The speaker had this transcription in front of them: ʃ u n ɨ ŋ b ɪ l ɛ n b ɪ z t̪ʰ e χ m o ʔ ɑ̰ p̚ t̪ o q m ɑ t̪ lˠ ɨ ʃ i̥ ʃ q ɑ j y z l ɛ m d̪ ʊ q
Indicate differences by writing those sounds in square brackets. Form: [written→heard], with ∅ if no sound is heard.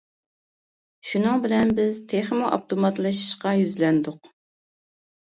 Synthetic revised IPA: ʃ u n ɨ ŋ b ɪ l ɛ n b ɪ z t̪ʰ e χ m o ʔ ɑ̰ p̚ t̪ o [q→∅] m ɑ t̪ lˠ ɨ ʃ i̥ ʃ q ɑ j y z l ɛ [m→n] d̪ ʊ q